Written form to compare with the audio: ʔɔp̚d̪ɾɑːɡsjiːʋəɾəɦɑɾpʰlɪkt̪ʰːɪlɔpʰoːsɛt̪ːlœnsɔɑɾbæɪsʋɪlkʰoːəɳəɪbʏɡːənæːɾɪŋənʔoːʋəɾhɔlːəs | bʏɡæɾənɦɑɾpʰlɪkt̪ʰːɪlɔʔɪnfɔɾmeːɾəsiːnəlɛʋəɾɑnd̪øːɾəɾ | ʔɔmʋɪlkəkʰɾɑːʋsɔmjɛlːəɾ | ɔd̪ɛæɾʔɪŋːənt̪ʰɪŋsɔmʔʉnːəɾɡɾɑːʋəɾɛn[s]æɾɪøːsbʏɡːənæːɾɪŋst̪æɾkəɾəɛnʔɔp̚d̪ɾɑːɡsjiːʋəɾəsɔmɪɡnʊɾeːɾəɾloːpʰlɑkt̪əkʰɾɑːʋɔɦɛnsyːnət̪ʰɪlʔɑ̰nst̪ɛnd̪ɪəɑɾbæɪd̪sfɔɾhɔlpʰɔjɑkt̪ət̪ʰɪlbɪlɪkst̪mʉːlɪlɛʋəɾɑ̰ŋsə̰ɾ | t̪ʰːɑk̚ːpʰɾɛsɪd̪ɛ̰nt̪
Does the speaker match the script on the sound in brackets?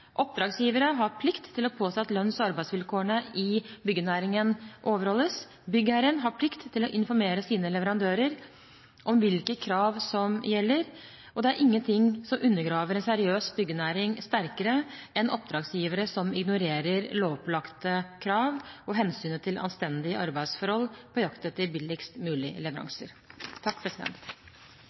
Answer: yes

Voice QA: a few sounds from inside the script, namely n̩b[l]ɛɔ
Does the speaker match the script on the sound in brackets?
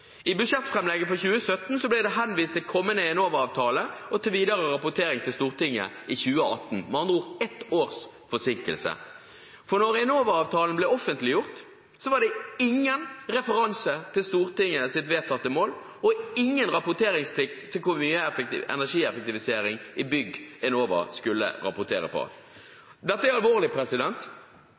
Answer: yes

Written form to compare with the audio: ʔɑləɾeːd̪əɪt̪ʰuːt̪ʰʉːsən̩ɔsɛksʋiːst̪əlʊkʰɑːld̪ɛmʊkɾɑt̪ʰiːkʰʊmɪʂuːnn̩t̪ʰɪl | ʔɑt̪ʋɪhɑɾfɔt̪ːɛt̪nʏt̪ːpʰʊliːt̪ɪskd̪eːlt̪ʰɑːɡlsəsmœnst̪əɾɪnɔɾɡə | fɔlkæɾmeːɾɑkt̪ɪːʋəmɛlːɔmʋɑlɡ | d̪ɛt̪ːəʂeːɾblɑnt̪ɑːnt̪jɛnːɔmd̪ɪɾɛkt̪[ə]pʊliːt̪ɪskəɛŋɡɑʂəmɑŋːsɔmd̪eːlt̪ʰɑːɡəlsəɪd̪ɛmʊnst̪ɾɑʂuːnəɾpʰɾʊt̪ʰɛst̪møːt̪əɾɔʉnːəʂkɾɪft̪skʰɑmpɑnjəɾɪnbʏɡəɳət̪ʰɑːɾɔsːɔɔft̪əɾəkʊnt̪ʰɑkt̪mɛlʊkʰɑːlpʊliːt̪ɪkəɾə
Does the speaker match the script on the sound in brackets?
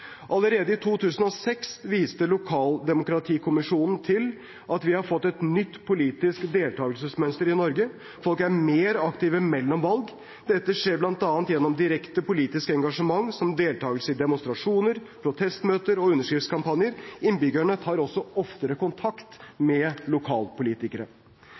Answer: yes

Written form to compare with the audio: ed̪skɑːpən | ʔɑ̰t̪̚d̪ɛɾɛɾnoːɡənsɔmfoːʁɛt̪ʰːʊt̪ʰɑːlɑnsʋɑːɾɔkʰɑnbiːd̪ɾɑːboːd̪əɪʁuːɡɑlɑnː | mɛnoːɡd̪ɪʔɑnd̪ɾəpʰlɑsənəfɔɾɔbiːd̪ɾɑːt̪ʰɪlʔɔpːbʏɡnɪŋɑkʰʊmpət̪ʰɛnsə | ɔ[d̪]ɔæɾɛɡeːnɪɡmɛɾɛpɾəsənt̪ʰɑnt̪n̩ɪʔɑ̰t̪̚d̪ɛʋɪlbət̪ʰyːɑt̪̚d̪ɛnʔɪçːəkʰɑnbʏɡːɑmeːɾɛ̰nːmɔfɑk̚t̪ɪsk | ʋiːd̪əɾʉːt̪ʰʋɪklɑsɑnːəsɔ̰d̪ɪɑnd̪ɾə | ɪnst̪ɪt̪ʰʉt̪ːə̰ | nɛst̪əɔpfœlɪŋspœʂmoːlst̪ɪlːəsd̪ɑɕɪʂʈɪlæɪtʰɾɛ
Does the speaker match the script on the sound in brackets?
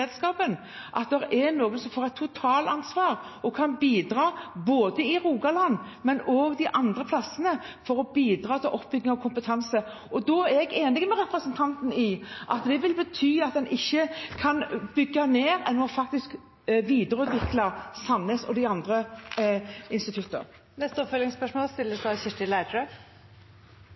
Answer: yes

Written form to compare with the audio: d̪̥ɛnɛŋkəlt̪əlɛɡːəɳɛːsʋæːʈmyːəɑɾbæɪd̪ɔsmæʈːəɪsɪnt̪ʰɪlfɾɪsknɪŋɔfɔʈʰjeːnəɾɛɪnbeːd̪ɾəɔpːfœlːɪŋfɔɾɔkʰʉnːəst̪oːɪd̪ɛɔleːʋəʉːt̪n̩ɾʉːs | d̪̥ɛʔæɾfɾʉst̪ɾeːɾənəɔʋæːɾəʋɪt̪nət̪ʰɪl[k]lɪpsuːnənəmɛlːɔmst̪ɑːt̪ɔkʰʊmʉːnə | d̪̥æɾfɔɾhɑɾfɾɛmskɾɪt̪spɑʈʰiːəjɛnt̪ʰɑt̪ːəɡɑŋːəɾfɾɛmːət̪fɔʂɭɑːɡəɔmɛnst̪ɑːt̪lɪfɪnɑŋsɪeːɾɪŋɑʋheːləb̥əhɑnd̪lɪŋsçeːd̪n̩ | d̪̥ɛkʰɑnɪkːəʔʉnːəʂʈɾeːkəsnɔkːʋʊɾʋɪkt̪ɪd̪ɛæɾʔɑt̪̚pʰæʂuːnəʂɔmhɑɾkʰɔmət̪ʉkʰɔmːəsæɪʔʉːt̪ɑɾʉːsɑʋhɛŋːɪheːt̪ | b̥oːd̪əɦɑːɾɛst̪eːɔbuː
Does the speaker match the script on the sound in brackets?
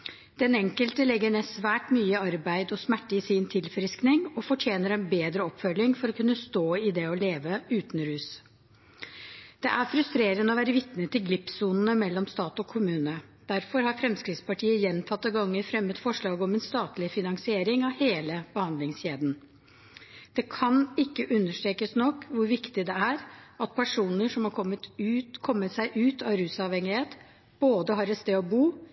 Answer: no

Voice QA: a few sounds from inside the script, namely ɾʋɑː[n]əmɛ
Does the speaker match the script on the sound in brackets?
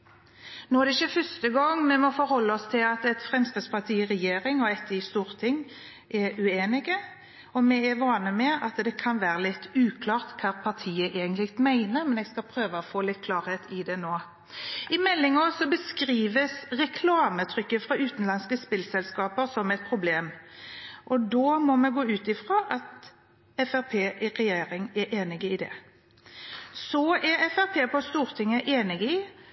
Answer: yes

